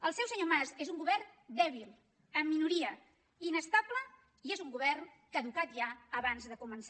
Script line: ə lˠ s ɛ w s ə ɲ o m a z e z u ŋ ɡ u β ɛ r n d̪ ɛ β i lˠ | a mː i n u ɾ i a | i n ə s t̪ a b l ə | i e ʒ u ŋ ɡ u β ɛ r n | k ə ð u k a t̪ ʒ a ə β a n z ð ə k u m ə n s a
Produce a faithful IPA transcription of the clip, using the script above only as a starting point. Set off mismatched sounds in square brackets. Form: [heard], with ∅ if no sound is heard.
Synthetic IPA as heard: ə lˠ s ɛ w s ə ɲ o m a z e z u ŋ ɡ u β ɛ r n d̪ ɛ β i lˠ | [ə] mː i n u ɾ i [ə] | i n ə s t̪ a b l ə | i e [z] u ŋ ɡ u β ɛ r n | k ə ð u k a t̪ ʒ a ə β a n z ð ə k u m ə n s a